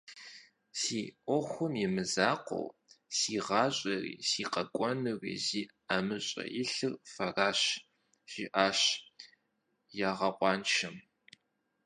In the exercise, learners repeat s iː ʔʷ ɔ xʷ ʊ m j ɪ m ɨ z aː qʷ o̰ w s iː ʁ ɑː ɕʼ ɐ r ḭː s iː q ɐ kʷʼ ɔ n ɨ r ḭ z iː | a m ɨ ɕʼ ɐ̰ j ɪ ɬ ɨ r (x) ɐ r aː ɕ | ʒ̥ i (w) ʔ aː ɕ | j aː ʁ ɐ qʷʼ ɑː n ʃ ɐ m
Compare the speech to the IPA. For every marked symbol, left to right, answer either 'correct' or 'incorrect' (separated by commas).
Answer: incorrect, incorrect